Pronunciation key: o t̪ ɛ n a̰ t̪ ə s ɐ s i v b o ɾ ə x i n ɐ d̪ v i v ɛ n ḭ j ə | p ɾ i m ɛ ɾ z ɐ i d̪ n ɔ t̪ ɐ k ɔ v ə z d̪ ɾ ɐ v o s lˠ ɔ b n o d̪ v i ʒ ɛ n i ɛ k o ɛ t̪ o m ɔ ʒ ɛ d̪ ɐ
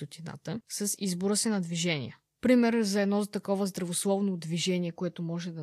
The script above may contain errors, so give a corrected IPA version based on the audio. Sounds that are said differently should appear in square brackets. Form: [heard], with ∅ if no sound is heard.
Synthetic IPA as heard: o t̪ [i] n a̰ t̪ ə s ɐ s i [z] b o ɾ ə [s] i n ɐ d̪ v i [ʒ] ɛ n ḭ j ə | p ɾ i m ɛ ɾ z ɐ [ɛ] d̪ n ɔ t̪ ɐ k ɔ v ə z d̪ ɾ ɐ v o s lˠ ɔ [v] n o d̪ v i ʒ ɛ n i ɛ k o ɛ t̪ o m ɔ ʒ ɛ d̪ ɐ